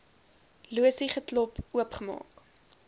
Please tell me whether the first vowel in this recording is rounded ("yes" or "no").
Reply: yes